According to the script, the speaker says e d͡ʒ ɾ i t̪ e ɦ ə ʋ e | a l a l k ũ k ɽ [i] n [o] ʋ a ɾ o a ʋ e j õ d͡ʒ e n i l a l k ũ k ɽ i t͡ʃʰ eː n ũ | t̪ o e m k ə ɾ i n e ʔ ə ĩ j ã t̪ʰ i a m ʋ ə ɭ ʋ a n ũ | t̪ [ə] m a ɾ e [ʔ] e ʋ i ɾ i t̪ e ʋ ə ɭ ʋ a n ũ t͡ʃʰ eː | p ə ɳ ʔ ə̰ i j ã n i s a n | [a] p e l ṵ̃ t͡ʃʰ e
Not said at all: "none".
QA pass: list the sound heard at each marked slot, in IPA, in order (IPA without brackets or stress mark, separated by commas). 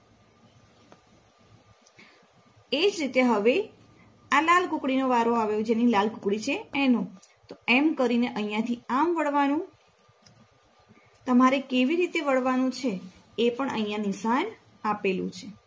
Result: i, o, ə, k, a